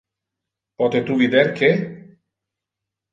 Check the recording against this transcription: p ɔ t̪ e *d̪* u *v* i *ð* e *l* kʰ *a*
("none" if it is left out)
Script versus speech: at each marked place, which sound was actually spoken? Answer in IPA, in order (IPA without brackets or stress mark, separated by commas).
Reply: t̪, β, ð, ɾ, e